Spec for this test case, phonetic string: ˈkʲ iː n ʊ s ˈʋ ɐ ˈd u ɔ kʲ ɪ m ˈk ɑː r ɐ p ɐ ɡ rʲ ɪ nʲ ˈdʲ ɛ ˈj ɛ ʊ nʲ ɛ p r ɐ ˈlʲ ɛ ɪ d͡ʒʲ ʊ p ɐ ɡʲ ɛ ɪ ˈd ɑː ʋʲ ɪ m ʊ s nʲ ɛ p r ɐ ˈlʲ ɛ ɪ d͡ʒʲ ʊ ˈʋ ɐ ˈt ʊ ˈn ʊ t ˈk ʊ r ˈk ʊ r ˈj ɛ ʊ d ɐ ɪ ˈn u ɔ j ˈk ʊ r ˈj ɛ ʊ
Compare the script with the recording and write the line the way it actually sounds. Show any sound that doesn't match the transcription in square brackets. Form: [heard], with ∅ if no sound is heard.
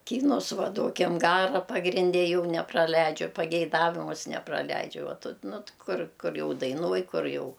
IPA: ˈkʲ iː n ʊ s ˈʋ ɐ ˈd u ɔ kʲ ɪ m [ˈɡ] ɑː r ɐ p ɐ ɡ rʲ ɪ nʲ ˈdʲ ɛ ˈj ɛ ʊ nʲ ɛ p r ɐ ˈlʲ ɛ ɪ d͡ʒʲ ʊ p ɐ ɡʲ ɛ ɪ ˈd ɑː ʋʲ ɪ m ʊ s nʲ ɛ p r ɐ ˈlʲ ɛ ɪ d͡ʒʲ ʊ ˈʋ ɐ ˈt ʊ ˈn ʊ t ˈk ʊ r ˈk ʊ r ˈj ɛ ʊ d ɐ ɪ ˈn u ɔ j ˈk ʊ r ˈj ɛ ʊ

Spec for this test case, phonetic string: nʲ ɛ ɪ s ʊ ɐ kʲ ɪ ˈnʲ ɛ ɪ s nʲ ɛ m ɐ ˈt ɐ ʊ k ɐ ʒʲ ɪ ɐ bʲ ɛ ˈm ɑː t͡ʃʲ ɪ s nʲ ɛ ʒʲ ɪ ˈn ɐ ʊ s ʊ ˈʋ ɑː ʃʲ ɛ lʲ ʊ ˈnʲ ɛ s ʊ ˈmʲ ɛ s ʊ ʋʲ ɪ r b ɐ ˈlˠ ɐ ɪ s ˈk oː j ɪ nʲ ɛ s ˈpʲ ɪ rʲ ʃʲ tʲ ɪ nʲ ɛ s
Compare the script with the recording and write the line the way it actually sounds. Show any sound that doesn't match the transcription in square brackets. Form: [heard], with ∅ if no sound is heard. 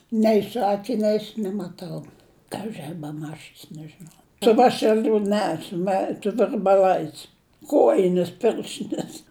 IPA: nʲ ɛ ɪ s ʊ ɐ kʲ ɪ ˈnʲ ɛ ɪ s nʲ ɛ m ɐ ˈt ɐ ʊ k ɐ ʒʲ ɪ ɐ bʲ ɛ ˈm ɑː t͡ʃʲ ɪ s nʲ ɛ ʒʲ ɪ ˈn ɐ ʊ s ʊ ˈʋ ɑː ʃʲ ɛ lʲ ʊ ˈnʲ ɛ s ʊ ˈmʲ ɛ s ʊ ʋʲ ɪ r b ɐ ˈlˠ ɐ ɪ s ˈk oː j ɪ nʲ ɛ s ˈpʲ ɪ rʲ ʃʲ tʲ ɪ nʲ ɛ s

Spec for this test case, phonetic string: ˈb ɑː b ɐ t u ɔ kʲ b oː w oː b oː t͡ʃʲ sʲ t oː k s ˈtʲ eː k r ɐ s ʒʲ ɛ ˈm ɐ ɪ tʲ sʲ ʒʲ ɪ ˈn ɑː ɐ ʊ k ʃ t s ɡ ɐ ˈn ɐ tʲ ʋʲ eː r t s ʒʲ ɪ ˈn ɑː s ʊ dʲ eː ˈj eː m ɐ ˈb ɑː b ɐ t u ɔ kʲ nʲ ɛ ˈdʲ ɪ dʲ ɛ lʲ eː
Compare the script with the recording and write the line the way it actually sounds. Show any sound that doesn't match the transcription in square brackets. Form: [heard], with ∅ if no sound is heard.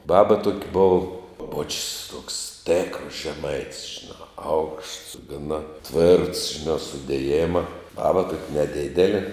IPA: ˈb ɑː b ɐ t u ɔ kʲ b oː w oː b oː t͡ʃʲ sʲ t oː k s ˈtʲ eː k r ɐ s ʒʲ ɛ ˈm ɐ ɪ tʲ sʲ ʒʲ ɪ ˈn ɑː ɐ ʊ k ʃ t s ɡ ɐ ˈn ɐ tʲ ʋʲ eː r t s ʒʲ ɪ ˈn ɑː s ʊ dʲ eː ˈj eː m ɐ ˈb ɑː b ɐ t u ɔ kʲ nʲ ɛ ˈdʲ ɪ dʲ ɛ lʲ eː

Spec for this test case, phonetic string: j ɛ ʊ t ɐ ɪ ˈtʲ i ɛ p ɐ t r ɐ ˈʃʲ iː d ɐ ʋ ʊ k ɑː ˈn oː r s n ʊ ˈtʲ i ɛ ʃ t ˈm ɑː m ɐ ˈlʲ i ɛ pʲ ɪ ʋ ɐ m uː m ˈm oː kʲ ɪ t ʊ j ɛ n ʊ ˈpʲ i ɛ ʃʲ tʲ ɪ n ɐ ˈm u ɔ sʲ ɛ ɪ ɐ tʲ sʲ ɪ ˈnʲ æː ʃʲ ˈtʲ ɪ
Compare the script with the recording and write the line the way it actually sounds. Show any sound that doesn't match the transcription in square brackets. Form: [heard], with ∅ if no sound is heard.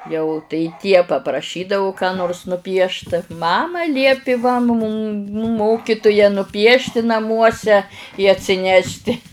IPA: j ɛ ʊ t ɐ ɪ ˈtʲ i ɛ p ɐ [p] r ɐ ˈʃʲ iː d ɐ ʋ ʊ k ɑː ˈn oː r s n ʊ [ˈpʲ] i ɛ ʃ t ˈm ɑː m ɐ ˈlʲ i ɛ pʲ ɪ ʋ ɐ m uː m ˈm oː kʲ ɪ t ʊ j ɛ n ʊ ˈpʲ i ɛ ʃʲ tʲ ɪ n ɐ ˈm u ɔ sʲ ɛ ɪ ɐ tʲ sʲ ɪ ˈnʲ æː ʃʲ ˈtʲ ɪ

